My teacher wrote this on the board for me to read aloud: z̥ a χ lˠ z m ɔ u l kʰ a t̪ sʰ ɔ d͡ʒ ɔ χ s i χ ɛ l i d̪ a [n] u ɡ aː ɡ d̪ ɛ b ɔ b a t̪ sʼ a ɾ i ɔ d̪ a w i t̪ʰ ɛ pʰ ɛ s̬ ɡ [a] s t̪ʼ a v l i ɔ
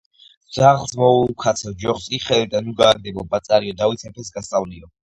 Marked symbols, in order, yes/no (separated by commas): yes, yes